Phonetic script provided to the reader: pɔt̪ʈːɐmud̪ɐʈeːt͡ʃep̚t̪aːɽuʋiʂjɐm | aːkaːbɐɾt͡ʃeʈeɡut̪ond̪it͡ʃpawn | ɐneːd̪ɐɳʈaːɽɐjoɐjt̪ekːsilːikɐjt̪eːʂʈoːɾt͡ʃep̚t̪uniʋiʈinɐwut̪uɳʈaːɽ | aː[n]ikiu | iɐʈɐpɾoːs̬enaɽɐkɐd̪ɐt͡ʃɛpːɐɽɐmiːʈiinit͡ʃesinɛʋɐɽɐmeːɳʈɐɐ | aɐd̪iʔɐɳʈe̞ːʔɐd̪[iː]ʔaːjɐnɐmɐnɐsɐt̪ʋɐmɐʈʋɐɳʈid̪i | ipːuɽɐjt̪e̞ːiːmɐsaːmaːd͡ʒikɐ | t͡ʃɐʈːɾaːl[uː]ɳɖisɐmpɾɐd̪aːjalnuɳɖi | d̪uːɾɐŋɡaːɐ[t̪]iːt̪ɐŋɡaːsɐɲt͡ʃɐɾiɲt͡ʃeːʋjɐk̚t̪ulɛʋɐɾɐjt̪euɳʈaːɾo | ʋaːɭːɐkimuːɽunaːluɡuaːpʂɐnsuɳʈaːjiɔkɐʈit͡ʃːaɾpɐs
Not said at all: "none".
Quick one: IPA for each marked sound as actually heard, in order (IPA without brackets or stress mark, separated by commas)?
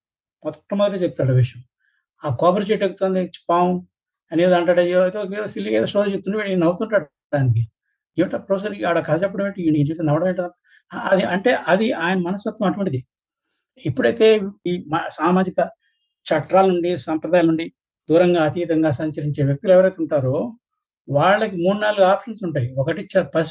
n, i, u, t̪